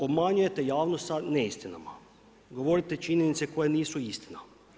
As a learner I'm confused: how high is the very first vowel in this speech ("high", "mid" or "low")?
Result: mid